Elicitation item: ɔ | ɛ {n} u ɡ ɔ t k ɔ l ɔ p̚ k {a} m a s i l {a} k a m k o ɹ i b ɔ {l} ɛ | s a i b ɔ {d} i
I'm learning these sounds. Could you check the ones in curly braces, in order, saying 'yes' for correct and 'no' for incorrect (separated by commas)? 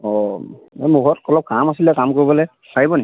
no, yes, no, yes, no